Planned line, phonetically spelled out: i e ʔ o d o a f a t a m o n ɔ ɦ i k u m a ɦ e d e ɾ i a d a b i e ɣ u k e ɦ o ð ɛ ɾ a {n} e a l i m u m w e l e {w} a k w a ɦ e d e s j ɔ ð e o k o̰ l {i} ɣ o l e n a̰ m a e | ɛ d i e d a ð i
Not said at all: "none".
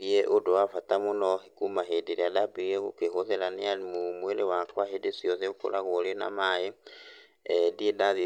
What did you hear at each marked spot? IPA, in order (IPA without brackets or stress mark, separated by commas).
n, w, a